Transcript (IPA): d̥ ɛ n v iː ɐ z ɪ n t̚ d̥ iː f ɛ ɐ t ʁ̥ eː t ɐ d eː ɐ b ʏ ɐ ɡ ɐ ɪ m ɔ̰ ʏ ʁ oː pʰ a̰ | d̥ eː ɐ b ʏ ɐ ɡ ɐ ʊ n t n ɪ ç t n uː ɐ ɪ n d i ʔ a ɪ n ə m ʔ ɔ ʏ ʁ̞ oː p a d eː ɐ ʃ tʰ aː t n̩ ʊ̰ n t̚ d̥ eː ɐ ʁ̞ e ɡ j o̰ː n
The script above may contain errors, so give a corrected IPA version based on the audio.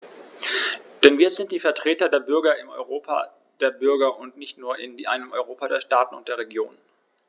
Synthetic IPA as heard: d̥ ɛ n v iː ɐ z ɪ n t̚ d̥ iː f ɛ ɐ t ʁ̥ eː t ɐ d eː ɐ b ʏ ɐ ɡ ɐ ɪ m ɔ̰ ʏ ʁ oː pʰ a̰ | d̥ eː ɐ b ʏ ɐ ɡ ɐ ʊ n t n ɪ ç t n uː ɐ ɪ n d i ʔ a ɪ n ə m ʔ ɔ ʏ ʁ̞ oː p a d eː ɐ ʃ t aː t n̩ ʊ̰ n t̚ d̥ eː ɐ ʁ̞ e ɡ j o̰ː n